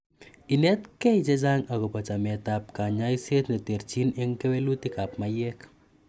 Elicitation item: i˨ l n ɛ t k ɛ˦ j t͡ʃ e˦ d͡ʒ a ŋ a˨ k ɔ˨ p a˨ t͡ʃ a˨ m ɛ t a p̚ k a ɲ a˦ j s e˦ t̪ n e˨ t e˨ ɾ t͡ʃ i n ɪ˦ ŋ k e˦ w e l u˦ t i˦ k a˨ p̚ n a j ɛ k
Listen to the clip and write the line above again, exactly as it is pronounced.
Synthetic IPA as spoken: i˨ n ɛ t k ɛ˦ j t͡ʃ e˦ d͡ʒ a ŋ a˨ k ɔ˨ p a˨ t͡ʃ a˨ m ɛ t a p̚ k a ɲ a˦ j s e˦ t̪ n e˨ t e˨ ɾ t͡ʃ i n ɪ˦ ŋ k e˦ w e l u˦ t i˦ k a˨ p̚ m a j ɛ k